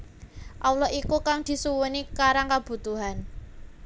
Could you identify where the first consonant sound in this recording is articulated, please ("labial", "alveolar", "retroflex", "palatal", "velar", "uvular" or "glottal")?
glottal